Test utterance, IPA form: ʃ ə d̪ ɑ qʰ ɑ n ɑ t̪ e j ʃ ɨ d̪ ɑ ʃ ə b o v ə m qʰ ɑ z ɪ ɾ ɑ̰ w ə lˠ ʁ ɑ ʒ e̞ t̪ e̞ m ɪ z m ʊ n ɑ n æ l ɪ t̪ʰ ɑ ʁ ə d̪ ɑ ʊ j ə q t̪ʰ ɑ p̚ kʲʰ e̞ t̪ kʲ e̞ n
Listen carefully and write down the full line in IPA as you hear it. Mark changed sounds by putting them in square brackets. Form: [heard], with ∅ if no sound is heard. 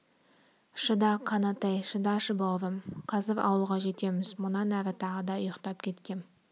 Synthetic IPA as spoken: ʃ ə d̪ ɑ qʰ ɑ n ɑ t̪ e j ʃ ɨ d̪ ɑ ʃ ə b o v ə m qʰ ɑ z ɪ ɾ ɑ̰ w ə lˠ ʁ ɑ ʒ e̞ t̪ e̞ m ɪ z m ʊ n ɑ n æ [ɾ] ɪ t̪ʰ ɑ ʁ ə d̪ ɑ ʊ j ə q [t̪] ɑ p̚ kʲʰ e̞ t̪ kʲ e̞ n